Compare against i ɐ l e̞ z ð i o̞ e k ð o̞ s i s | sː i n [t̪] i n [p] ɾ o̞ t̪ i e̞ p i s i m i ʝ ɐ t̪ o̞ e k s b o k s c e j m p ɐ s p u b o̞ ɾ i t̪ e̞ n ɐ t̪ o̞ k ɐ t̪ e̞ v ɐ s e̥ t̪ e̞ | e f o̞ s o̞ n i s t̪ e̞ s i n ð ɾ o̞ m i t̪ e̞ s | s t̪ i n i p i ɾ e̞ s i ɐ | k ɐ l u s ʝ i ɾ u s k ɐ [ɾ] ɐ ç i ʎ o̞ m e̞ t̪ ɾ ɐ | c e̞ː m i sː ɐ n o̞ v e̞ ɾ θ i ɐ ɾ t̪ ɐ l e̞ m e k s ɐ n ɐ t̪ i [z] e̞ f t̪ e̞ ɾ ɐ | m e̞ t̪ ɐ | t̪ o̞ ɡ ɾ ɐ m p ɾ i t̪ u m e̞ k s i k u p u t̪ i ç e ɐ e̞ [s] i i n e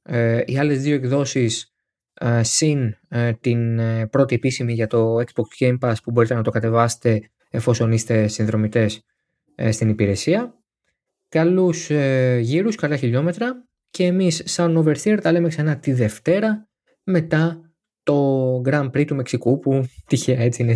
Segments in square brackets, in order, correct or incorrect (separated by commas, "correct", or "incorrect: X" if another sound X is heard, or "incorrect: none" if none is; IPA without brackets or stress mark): correct, correct, incorrect: l, incorrect: ð, incorrect: t͡s